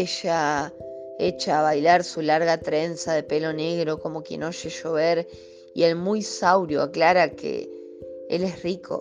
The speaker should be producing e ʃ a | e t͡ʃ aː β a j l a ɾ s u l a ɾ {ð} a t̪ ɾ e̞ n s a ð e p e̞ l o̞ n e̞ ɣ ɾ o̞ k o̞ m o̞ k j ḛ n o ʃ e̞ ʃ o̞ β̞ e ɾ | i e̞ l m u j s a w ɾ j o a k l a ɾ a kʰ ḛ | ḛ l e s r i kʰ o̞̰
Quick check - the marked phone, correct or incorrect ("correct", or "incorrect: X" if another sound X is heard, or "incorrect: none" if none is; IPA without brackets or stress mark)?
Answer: incorrect: ɣ